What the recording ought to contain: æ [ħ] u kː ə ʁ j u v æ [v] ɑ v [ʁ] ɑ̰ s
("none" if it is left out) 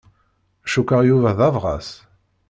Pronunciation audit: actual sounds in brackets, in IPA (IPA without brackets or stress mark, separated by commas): ʃ, ð, ʁ